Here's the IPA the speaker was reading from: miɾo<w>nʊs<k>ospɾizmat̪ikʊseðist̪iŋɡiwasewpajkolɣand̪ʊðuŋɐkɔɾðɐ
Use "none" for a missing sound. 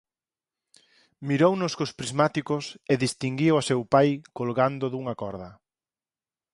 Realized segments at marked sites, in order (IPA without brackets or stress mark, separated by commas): w, k